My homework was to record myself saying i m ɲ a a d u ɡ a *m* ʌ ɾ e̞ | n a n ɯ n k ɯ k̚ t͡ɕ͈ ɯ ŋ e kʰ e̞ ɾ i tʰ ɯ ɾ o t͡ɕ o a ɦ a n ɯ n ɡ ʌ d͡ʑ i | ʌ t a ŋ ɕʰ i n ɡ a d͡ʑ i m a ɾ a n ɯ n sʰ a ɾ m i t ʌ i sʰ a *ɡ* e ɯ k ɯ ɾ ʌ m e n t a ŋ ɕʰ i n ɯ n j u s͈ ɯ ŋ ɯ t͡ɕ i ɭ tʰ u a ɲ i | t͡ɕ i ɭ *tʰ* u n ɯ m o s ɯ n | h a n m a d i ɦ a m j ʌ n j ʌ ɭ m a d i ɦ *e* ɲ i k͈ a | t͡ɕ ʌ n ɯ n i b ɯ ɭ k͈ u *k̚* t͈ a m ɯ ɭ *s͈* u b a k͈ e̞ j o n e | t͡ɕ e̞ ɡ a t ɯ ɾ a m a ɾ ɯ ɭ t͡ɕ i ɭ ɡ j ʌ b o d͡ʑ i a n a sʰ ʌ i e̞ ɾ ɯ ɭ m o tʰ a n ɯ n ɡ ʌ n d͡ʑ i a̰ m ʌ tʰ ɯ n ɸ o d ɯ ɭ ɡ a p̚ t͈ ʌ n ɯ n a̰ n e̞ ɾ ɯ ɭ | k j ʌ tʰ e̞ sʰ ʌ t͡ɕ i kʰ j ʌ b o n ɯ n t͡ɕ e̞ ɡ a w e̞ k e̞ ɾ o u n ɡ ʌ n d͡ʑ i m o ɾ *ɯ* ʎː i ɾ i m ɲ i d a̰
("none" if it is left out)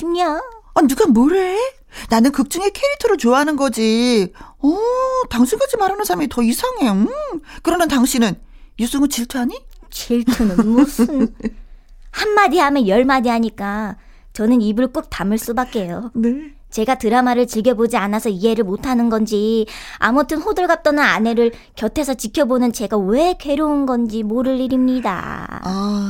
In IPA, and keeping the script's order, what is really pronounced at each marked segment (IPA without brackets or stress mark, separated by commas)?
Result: m, ŋ, tʰ, a, k̚, s͈, ɯ